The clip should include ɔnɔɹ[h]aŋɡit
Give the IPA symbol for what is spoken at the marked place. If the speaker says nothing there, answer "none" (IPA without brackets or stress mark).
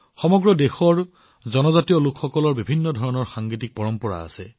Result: x